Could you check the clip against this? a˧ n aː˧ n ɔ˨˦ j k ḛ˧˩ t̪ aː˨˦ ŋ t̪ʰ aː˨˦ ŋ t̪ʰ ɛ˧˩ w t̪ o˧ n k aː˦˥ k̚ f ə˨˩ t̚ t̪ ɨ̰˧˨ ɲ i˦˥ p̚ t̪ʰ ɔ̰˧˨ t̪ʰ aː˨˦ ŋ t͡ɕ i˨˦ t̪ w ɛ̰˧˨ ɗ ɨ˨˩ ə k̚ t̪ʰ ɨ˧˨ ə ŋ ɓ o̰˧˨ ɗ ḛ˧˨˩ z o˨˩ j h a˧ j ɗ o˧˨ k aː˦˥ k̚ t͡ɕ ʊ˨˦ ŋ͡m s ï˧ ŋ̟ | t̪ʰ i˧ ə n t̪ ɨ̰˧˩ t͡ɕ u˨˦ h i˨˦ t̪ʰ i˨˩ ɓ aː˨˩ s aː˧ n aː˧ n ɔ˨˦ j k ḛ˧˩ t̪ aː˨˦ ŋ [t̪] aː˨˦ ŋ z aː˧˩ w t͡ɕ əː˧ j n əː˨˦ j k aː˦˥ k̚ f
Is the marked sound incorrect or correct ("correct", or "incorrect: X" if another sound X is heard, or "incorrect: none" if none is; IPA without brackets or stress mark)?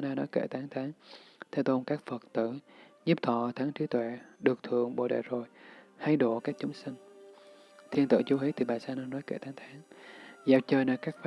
incorrect: t̪ʰ